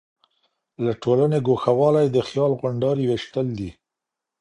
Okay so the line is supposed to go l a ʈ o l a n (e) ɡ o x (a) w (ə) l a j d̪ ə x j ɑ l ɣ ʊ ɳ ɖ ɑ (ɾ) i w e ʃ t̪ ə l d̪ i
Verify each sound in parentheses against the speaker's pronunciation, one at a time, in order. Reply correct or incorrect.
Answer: correct, correct, incorrect: ɑ, correct

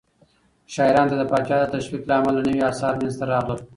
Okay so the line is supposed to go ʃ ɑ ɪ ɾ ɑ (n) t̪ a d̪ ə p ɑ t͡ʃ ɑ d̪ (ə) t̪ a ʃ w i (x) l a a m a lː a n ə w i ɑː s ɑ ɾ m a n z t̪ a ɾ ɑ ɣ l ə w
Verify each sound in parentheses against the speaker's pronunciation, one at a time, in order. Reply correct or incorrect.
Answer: correct, correct, incorrect: k

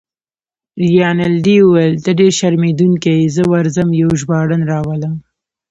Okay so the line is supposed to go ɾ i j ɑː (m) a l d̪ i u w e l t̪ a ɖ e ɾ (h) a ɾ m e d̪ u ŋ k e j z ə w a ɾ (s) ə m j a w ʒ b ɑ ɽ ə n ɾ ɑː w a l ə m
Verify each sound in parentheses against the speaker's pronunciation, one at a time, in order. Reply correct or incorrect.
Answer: incorrect: n, incorrect: ʃ, incorrect: z

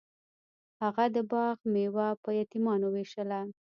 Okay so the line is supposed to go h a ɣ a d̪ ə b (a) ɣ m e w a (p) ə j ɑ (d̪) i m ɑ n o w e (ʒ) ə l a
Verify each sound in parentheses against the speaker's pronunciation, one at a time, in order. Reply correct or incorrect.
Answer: incorrect: ɑ, correct, incorrect: t̪, incorrect: ʃ

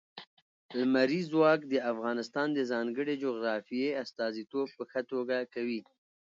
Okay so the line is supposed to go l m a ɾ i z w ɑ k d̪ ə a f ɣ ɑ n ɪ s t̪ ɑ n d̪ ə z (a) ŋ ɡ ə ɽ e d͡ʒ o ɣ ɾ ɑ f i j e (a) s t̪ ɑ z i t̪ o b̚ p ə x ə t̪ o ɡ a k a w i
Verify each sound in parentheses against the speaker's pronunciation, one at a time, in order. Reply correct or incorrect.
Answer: incorrect: ɑ, correct

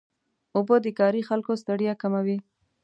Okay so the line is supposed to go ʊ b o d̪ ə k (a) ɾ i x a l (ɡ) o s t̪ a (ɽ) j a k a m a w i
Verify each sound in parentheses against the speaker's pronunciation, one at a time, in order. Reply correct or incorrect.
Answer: incorrect: ɑ, incorrect: k, correct

